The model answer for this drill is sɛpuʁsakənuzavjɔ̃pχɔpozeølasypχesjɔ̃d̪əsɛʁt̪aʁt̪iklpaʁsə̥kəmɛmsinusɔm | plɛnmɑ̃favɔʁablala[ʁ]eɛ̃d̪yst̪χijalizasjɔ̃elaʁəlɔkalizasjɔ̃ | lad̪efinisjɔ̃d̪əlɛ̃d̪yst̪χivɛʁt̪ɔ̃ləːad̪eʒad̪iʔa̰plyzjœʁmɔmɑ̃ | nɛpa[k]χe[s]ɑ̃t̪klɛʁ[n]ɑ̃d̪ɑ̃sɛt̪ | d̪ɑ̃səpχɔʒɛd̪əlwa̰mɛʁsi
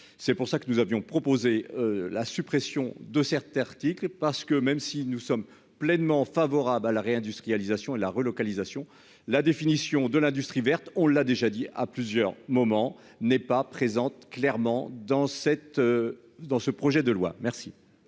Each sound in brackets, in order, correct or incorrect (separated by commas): correct, incorrect, incorrect, incorrect